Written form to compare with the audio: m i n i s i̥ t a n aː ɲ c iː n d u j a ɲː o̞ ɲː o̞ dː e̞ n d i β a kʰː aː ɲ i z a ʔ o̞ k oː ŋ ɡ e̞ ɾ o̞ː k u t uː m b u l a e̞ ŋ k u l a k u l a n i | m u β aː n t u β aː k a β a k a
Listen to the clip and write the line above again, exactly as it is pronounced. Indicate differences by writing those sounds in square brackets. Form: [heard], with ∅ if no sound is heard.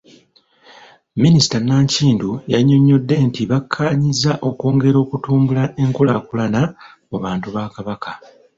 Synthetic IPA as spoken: m i n i s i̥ t a n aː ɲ c iː n d u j a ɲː o̞ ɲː o̞ dː e̞ n [t] i β a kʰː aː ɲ i z a ʔ o̞ k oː ŋ ɡ e̞ ɾ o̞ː k u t uː m b u l a e̞ ŋ k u l a k u l a n [a] | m u β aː n t u β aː k a β a k a